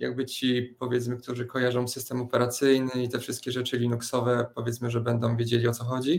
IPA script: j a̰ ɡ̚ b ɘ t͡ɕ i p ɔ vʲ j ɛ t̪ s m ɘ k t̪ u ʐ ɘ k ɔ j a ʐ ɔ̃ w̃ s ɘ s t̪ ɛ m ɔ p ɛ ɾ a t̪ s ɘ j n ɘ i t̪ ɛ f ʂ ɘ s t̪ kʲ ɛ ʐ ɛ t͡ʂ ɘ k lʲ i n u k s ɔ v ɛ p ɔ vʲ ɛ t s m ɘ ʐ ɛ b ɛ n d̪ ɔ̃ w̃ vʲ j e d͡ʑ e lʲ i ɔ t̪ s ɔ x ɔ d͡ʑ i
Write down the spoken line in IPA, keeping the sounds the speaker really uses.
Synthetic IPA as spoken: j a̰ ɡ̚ b ɘ t͡ɕ i p ɔ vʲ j ɛ t̪ s m ɘ k t̪ u ʐ ɘ k ɔ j a ʐ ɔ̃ w̃ s ɘ s t̪ ɛ m ɔ p ɛ ɾ a t̪ s ɘ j n ɘ i t̪ ɛ f ʂ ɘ s t̪ kʲ ɛ ʐ ɛ t͡ʂ ɘ lʲ i n u k s ɔ v ɛ p ɔ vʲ ɛ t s m ɘ ʐ ɛ b ɛ n d̪ ɔ̃ w̃ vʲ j e d͡ʑ e lʲ i ɔ t̪ s ɔ x ɔ d͡ʑ i